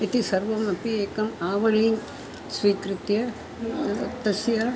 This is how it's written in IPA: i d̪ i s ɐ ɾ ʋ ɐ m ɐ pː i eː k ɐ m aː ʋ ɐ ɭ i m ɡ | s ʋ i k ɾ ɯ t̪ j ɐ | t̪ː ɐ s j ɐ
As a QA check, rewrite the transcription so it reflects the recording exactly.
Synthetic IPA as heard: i t̪ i s ɐ ɾ ʋ ɐ m ɐ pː i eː k ɐ m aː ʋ ɐ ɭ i ŋ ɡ | s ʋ iː k ɾ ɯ t̪ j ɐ | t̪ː ɐ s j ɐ